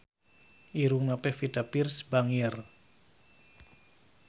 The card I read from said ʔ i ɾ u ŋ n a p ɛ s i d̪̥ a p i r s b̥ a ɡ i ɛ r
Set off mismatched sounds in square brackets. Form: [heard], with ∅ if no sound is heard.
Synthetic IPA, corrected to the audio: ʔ i ɾ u ŋ n a p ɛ [f] i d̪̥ a p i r s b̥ a [ŋ] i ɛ r